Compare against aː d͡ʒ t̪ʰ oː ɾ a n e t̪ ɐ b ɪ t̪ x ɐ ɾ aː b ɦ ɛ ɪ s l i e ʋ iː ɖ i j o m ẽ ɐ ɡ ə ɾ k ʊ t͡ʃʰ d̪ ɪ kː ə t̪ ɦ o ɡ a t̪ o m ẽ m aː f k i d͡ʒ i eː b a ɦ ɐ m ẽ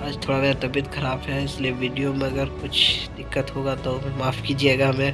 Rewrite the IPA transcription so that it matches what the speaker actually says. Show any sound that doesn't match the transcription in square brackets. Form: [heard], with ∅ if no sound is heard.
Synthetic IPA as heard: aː d͡ʒ t̪ʰ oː [ɽ] a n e t̪ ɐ b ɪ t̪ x ɐ ɾ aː b ɦ ɛ ɪ s l i e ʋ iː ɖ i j o m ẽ ɐ ɡ ə ɾ k ʊ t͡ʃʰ d̪ ɪ kː ə t̪ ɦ o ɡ a t̪ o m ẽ m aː f k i d͡ʒ i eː [ɡ] a ɦ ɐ m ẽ